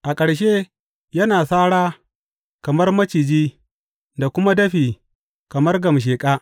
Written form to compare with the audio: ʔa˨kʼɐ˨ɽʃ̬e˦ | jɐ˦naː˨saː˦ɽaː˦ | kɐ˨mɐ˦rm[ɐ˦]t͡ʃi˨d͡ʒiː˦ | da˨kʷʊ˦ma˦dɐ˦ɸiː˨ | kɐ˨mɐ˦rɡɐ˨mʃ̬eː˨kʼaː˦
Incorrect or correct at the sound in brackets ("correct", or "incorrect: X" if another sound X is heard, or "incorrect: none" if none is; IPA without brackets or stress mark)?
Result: correct